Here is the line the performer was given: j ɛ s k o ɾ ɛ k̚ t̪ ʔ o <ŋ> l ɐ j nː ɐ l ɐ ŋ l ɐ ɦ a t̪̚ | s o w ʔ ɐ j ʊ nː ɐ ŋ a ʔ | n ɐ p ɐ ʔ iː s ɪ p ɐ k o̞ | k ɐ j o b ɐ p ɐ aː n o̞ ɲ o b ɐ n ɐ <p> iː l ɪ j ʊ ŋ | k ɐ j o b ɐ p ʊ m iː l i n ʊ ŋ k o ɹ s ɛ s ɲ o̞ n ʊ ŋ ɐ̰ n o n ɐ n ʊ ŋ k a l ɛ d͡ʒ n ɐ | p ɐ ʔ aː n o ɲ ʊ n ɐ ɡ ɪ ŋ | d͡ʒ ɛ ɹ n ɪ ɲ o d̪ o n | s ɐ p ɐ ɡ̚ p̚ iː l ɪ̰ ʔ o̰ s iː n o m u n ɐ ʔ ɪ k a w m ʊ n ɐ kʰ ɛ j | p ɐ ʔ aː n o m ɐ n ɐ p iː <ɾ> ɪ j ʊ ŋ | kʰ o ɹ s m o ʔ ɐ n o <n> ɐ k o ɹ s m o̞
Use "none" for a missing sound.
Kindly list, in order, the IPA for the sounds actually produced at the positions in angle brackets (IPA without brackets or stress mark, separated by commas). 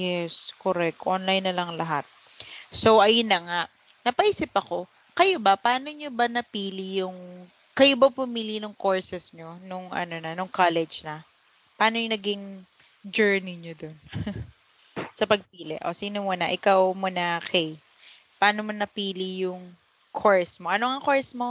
n, p, l, ŋ